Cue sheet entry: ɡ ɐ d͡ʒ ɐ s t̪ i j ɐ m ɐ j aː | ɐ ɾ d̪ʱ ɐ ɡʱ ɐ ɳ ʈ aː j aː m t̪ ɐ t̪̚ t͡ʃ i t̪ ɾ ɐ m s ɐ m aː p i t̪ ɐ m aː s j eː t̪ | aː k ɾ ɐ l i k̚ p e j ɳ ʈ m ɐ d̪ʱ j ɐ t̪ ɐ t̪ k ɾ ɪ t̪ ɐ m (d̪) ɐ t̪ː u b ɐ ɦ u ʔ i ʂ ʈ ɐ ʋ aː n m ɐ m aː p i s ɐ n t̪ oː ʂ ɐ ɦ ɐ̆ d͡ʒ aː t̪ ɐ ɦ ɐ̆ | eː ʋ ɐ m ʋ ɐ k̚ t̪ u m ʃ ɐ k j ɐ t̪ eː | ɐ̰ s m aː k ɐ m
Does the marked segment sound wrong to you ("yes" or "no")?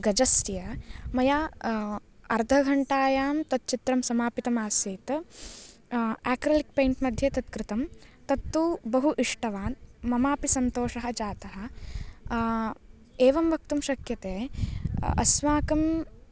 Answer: yes